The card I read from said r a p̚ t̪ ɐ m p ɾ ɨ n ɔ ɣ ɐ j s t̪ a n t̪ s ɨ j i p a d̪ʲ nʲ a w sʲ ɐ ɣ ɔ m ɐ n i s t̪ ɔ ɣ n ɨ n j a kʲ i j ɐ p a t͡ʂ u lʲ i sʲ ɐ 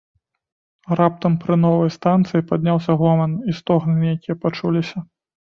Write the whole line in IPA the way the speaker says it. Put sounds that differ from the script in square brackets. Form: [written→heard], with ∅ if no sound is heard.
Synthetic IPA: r a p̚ t̪ ɐ m p ɾ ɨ n ɔ [ɣ→v] ɐ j s t̪ a n t̪ s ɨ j i p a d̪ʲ nʲ a w sʲ ɐ ɣ ɔ m ɐ n i s t̪ ɔ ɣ n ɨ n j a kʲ i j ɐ p a t͡ʂ u lʲ i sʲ ɐ